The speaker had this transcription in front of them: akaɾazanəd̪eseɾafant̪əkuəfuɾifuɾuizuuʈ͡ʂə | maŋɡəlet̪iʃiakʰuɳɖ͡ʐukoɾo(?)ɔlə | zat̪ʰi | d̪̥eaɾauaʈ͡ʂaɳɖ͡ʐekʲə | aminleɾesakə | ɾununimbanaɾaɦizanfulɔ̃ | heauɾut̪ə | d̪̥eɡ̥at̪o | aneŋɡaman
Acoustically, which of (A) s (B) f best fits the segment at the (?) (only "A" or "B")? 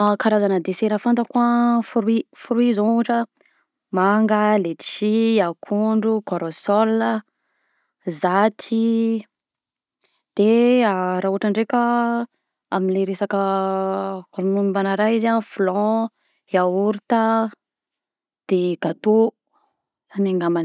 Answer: A